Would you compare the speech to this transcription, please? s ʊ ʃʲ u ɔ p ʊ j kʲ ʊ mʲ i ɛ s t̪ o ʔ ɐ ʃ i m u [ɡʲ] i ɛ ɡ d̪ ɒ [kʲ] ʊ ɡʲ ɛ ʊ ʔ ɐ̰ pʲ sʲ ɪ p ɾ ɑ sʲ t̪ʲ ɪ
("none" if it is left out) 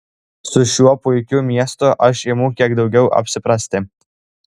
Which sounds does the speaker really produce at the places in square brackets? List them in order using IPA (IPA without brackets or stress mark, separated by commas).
kʲ, none